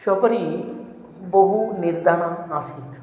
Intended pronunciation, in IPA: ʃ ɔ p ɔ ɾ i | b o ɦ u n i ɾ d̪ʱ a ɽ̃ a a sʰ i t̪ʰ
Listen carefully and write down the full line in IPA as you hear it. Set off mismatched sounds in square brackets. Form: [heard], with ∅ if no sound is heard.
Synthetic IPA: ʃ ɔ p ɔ ɾ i | b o ɦ u n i ɾ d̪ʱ a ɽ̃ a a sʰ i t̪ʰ